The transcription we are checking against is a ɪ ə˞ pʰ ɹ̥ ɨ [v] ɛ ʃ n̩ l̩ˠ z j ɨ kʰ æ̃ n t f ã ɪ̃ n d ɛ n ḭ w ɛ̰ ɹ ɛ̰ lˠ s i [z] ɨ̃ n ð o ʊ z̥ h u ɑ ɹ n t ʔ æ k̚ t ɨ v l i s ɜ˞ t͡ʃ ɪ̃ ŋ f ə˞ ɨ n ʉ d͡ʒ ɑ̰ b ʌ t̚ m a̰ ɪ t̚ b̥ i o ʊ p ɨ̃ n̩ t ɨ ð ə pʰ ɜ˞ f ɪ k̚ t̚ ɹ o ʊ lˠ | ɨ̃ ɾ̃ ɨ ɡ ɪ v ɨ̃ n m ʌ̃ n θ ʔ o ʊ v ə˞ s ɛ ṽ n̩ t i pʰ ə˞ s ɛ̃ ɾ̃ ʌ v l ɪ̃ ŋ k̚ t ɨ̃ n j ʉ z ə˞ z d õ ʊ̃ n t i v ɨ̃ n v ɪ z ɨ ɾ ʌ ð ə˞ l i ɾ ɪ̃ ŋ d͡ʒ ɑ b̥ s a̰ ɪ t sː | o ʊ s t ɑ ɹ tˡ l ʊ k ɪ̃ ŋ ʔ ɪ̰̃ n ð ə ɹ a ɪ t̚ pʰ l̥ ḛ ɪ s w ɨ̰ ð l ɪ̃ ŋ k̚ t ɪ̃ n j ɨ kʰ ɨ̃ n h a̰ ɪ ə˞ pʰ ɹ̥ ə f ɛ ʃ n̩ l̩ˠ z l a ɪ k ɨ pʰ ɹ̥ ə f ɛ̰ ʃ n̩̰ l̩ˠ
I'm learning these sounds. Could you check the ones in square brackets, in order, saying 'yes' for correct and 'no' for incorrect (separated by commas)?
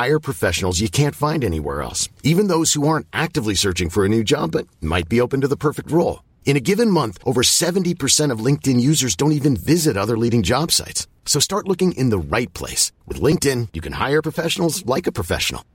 no, no